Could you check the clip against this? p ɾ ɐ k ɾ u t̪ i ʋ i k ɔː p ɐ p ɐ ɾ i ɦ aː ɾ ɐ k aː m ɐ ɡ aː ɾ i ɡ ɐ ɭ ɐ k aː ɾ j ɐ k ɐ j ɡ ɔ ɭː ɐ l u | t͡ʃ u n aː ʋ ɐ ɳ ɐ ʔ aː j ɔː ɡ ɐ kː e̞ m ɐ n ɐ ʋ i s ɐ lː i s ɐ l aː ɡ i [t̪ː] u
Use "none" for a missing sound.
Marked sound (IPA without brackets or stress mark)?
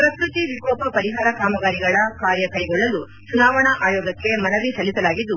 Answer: d̪ː